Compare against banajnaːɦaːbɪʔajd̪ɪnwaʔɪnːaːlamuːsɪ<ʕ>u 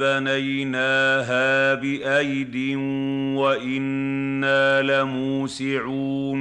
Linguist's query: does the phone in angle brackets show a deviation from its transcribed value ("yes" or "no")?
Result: no